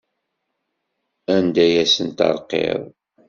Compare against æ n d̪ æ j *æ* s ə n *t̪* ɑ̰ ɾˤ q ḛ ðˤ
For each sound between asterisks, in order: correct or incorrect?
correct, correct

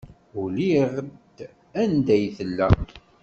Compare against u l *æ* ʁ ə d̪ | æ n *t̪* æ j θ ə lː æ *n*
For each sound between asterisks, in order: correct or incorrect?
incorrect: i, incorrect: d̪, incorrect: none

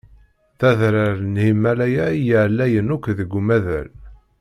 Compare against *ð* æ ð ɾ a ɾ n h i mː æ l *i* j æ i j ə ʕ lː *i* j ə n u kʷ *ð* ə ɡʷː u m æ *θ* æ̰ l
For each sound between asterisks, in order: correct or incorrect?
incorrect: θ, incorrect: æ, incorrect: æ, correct, incorrect: ð

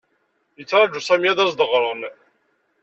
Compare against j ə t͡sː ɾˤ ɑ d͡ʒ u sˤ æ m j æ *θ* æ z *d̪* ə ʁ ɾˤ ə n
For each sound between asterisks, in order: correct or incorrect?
incorrect: ð, correct

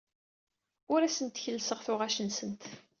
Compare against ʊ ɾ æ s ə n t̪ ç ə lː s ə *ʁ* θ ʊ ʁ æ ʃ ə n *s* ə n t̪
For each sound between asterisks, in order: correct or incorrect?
correct, correct

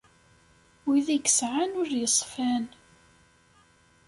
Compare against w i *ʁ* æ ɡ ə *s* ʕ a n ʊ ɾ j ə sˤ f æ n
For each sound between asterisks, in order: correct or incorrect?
incorrect: ð, correct

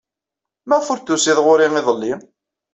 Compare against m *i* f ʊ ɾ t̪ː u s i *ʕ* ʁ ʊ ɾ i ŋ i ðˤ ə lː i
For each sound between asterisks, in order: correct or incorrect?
incorrect: æ, incorrect: ð

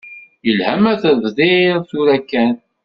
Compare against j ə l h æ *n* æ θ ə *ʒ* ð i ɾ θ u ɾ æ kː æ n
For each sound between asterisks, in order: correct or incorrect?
incorrect: m, incorrect: v

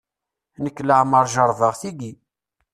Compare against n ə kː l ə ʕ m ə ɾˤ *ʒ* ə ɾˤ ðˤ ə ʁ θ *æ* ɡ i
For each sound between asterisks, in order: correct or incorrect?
correct, incorrect: i

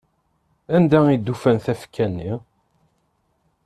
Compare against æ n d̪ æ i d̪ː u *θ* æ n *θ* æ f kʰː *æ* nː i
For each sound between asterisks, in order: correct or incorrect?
incorrect: f, correct, correct

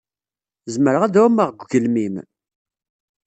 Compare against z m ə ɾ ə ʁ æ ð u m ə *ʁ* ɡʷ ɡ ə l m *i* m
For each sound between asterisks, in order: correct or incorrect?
correct, correct

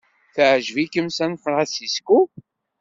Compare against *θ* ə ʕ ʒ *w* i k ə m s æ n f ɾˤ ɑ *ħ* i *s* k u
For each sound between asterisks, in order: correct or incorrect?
correct, incorrect: v, incorrect: s, correct

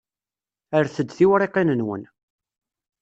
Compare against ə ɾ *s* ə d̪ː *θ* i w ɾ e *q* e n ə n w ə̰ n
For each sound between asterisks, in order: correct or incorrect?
incorrect: θ, correct, correct

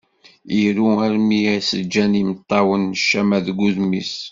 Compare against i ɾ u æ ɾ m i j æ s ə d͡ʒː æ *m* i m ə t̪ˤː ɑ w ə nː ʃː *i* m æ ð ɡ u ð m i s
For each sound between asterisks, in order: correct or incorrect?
incorrect: n, incorrect: æ

